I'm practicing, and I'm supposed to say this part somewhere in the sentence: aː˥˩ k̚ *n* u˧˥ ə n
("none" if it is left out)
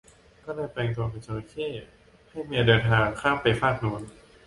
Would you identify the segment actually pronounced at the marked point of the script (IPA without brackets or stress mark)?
n